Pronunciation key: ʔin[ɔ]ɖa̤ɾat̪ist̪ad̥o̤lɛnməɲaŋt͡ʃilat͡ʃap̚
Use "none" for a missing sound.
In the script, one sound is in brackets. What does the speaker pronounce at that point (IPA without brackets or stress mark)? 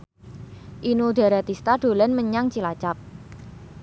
u